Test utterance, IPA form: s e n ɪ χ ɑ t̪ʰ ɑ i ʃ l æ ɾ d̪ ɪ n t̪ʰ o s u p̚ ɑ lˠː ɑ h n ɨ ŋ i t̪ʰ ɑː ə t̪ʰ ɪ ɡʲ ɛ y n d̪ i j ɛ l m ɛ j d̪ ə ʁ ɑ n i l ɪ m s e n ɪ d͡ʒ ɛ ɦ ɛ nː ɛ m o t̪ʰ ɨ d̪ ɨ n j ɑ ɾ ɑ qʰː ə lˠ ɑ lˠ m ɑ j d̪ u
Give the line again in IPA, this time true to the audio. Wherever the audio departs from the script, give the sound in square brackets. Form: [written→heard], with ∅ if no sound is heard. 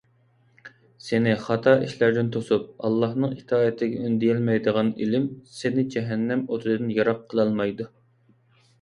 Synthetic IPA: s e n ɪ χ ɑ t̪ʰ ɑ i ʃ l æ ɾ d̪ ɪ n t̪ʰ o s u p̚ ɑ lˠː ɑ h n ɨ ŋ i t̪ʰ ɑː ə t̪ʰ ɪ ɡʲ ɛ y n d̪ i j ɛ l m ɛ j d̪ ə ʁ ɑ n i l ɪ m s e n ɪ d͡ʒ ɛ ɦ ɛ nː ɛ m o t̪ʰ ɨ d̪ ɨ n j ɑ ɾ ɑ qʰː ə lˠ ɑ lˠ m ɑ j d̪ u